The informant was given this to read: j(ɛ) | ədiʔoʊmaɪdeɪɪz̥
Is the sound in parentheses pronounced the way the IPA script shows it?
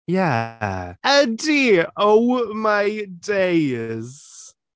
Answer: no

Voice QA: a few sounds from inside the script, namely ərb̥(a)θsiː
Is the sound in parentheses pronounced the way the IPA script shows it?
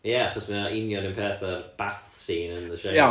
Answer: yes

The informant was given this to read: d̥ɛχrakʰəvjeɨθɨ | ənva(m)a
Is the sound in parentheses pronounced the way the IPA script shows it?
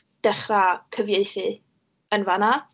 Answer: no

